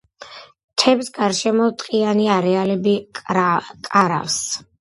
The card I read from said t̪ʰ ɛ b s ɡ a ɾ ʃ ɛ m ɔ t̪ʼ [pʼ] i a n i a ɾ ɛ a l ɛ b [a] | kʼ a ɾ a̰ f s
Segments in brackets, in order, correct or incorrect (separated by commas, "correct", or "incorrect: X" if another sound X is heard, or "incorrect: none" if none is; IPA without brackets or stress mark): incorrect: qʼ, incorrect: i